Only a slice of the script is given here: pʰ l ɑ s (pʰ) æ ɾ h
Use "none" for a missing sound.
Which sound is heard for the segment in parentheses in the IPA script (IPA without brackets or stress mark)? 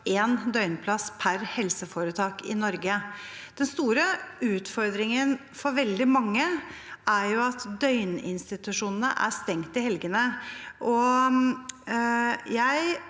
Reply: pʰ